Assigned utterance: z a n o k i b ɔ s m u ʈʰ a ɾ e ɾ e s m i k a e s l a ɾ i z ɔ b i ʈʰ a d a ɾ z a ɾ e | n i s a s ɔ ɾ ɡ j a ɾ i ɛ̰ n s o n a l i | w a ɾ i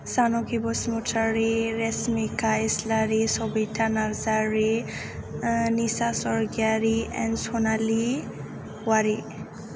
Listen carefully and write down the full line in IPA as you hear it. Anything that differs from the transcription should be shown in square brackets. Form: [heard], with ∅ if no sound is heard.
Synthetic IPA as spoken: [s] a n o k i b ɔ s m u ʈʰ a ɾ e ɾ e s m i k a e s l a ɾ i [s] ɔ b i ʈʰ a [n] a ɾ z a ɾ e | n i s a s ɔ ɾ ɡ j a ɾ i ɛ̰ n s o n a l i | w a ɾ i